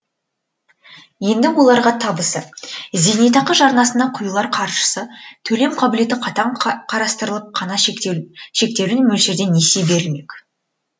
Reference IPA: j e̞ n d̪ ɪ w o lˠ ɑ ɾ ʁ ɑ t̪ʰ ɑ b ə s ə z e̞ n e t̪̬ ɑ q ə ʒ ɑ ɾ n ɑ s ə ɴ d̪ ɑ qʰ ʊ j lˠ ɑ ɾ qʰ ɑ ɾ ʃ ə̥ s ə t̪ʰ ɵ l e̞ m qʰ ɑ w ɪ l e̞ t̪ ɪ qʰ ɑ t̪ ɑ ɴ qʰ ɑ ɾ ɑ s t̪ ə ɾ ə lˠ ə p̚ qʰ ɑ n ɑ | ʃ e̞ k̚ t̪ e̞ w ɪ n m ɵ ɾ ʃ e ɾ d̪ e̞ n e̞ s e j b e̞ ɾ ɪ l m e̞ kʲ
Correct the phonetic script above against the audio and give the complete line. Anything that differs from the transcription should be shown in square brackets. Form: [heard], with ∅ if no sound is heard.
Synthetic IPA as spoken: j e̞ n d̪ ɪ w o lˠ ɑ ɾ ʁ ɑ t̪ʰ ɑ b ə s ə z e̞ n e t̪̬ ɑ q ə ʒ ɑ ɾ n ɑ s ə [n] d̪ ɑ qʰ ʊ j lˠ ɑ ɾ qʰ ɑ ɾ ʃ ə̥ s ə t̪ʰ ɵ l e̞ m qʰ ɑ [b] ɪ l e̞ t̪ ɪ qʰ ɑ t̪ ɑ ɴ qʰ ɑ ɾ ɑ s t̪ ə ɾ ə lˠ ə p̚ qʰ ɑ n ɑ | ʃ e̞ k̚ t̪ e̞ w ɪ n m ɵ [l] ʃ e ɾ d̪ e̞ n e̞ s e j b e̞ ɾ ɪ l m e̞ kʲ